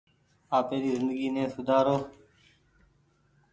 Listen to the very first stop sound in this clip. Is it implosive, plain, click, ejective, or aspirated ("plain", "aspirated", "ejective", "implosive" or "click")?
plain